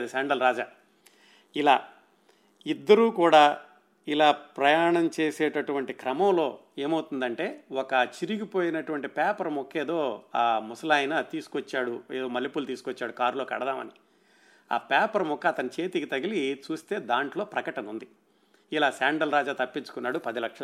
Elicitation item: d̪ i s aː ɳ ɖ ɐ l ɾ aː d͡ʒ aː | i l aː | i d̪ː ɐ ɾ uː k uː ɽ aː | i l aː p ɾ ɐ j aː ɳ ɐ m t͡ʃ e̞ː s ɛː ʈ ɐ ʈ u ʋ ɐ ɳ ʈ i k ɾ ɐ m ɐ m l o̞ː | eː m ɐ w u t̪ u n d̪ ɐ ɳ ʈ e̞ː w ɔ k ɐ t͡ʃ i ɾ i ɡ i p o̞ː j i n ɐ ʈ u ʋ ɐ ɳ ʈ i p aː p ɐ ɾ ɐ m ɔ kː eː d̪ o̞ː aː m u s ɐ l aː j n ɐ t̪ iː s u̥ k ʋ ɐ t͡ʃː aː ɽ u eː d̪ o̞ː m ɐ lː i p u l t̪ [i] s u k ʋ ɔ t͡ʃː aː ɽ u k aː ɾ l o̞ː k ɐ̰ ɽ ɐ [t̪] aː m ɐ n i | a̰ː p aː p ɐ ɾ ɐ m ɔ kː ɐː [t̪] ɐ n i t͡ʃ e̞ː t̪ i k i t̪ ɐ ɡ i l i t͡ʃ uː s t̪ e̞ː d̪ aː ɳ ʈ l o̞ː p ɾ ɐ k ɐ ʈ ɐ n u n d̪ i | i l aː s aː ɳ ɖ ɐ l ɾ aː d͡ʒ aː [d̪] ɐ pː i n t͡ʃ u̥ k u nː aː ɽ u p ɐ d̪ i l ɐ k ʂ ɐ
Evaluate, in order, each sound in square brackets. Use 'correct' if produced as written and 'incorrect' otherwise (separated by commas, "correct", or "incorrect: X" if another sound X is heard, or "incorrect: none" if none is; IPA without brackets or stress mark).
incorrect: iː, incorrect: d̪, correct, incorrect: t̪